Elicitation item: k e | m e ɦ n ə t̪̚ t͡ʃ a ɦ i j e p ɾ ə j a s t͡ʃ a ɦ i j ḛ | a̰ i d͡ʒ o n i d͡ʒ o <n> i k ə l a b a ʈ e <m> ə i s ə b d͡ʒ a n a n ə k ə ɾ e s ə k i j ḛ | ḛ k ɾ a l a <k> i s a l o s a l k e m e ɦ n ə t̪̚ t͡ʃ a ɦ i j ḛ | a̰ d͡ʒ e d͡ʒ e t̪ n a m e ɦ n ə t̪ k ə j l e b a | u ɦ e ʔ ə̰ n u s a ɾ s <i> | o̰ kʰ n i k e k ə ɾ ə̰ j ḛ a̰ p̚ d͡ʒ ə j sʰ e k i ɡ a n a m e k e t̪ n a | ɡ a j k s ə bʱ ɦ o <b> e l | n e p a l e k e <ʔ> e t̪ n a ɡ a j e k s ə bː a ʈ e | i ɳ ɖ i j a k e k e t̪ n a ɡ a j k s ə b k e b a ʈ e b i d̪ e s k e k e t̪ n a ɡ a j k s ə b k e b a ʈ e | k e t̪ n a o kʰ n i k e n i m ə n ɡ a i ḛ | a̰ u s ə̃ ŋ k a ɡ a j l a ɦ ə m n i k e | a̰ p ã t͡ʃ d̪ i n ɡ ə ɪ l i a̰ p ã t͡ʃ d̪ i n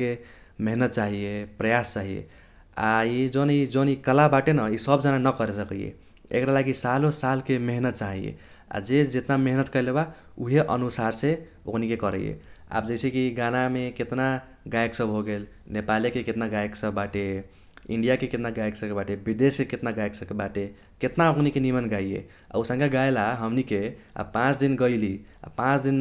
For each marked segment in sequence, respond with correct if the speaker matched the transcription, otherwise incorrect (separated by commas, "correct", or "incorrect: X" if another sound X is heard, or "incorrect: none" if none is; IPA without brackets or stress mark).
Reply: correct, incorrect: n, incorrect: ɡ, incorrect: e, incorrect: ɡ, incorrect: k